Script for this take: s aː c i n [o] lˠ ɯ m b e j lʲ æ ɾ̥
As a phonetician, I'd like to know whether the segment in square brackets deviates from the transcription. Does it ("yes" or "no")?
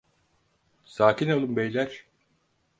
no